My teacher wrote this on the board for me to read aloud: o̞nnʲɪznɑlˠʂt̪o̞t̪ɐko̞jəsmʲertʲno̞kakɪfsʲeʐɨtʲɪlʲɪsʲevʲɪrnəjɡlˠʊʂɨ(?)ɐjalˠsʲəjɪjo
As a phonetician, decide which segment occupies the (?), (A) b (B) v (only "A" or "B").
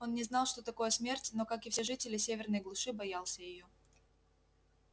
A